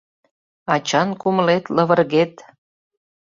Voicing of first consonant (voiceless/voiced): voiceless